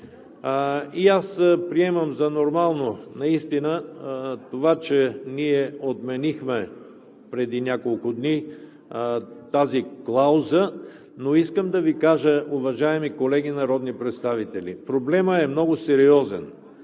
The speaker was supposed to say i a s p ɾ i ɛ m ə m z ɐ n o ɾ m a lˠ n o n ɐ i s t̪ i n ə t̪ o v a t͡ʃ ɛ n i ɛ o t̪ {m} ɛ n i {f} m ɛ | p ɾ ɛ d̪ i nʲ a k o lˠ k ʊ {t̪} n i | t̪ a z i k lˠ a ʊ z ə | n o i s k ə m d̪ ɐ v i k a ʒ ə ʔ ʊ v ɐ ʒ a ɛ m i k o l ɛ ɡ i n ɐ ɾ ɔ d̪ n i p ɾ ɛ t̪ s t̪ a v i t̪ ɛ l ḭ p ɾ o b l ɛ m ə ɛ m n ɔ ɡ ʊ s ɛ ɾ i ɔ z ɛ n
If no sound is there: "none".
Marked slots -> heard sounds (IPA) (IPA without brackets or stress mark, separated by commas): m, x, d̪